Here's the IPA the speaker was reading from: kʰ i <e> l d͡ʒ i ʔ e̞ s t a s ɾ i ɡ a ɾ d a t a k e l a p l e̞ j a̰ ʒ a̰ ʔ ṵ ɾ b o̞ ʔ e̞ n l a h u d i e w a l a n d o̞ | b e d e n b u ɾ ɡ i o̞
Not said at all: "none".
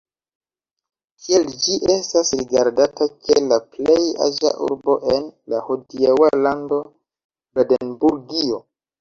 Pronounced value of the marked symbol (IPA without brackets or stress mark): e